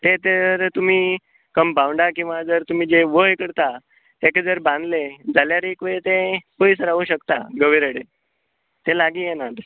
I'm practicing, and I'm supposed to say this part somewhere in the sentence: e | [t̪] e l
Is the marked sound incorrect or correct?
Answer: correct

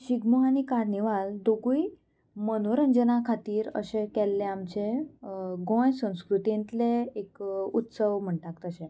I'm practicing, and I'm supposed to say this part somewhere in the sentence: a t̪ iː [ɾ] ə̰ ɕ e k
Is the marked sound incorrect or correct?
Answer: correct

